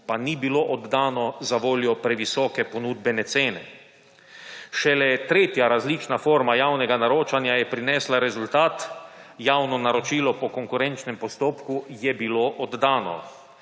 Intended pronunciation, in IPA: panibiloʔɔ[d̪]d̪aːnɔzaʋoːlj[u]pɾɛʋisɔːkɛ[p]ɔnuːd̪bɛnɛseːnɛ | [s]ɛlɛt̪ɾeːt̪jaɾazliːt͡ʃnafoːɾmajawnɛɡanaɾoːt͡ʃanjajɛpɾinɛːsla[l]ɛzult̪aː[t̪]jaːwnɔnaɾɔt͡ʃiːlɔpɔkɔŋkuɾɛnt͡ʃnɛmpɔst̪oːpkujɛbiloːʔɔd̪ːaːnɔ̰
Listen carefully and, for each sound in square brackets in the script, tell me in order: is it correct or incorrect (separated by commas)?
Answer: correct, incorrect, correct, incorrect, incorrect, correct